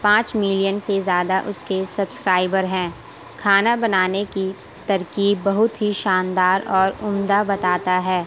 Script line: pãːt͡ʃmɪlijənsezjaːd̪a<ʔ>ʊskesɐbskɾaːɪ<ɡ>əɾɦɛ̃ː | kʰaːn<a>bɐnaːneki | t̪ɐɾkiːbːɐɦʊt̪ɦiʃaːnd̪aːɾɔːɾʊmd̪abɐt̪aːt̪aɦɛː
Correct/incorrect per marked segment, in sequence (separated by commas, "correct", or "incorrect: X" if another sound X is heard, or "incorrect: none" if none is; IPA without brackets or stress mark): correct, incorrect: b, correct